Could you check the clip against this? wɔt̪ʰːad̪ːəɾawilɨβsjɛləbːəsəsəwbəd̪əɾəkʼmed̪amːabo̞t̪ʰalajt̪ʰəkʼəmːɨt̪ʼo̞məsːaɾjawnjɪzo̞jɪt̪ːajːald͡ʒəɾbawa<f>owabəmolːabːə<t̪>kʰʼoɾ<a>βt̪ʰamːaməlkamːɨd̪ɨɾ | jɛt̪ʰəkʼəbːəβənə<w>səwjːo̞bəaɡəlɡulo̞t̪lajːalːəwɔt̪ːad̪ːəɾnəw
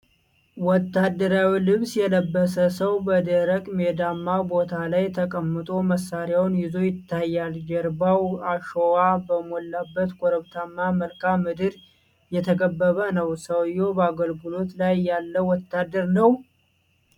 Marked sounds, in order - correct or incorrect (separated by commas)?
incorrect, correct, incorrect, correct